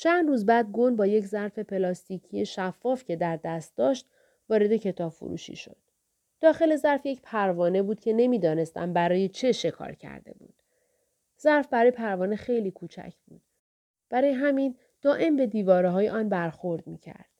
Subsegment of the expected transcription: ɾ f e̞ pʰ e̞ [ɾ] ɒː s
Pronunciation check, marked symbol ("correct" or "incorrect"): incorrect